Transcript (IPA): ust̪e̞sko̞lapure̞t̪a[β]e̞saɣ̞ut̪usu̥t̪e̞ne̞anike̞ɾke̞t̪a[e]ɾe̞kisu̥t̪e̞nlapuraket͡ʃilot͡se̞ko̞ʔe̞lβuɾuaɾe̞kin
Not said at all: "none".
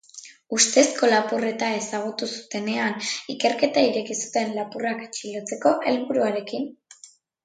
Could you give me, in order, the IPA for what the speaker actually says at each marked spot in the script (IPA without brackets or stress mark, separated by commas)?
none, i